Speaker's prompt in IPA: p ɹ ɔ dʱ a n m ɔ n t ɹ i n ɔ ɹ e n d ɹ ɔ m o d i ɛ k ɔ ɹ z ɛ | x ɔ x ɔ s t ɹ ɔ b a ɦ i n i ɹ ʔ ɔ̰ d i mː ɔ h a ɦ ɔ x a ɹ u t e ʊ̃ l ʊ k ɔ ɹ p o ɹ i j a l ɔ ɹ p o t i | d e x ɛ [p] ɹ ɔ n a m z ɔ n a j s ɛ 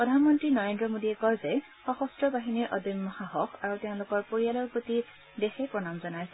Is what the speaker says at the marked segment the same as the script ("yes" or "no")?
yes